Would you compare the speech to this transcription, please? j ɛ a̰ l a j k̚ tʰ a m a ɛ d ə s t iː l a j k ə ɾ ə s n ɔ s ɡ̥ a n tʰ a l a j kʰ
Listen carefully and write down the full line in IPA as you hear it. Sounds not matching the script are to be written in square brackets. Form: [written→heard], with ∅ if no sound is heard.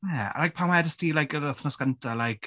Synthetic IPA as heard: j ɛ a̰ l a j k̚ [tʰ→pʰ] a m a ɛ d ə s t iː l a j k ə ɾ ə [s→θ] n ɔ s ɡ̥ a n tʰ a l a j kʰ